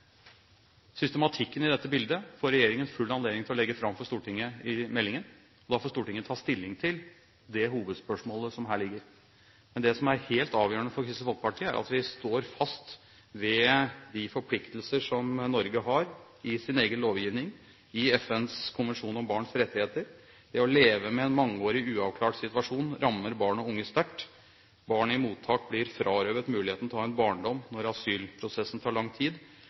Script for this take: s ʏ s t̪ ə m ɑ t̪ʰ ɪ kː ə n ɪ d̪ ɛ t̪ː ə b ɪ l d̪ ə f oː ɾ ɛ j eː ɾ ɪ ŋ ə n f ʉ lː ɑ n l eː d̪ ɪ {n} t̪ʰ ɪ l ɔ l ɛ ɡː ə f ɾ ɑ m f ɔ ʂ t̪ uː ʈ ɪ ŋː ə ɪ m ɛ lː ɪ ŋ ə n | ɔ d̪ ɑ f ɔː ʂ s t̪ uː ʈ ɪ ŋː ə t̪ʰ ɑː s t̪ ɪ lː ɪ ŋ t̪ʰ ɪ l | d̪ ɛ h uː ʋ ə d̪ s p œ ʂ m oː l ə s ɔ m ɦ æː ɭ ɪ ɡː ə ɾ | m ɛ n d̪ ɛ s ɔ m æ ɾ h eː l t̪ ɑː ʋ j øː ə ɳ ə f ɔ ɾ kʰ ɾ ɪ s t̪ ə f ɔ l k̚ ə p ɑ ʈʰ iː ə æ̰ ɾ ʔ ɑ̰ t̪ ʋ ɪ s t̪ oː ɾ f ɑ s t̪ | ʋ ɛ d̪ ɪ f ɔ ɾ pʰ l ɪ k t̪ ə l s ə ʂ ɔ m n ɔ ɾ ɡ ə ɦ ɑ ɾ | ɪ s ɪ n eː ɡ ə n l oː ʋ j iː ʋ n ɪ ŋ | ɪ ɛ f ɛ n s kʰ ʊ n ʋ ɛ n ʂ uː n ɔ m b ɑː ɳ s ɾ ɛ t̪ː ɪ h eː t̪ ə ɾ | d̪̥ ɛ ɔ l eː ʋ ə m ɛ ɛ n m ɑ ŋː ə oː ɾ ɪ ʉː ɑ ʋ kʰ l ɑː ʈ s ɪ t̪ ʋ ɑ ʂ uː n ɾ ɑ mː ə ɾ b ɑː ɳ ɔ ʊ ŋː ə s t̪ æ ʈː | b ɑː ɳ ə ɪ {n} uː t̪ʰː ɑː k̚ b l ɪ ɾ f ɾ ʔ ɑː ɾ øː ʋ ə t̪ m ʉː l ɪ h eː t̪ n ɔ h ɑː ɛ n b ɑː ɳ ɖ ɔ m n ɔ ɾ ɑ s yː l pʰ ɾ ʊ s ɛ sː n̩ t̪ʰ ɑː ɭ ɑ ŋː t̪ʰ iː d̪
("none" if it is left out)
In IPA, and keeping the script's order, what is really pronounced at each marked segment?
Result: ŋ, m

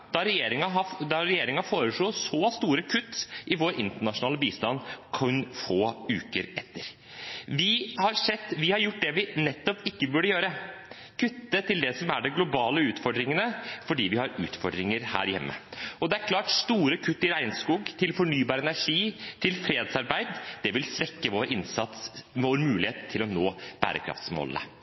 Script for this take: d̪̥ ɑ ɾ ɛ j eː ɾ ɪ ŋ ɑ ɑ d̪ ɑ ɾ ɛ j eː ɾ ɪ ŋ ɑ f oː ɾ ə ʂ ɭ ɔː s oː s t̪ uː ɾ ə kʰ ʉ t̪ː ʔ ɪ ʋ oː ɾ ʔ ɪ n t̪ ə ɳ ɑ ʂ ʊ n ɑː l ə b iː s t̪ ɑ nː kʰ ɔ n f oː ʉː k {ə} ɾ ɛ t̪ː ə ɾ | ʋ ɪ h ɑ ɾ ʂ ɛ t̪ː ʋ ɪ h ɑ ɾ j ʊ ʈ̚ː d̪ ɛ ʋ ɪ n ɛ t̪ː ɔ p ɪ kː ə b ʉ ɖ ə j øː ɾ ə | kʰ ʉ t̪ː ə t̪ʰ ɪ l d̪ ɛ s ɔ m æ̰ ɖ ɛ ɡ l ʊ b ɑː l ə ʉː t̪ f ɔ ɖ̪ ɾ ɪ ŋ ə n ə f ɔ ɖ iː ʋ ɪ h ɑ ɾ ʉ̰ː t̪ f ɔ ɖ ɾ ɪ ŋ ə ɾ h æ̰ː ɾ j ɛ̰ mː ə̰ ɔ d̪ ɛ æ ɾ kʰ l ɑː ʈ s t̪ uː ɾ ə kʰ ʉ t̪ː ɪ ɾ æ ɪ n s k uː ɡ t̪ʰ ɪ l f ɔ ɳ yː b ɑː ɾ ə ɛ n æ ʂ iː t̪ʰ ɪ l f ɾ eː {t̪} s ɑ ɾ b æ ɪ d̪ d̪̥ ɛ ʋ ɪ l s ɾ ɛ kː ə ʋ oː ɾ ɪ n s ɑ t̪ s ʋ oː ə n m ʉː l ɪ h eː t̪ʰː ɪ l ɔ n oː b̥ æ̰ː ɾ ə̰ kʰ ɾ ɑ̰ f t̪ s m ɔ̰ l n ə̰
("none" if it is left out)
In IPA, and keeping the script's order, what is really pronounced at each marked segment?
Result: ə, d̪

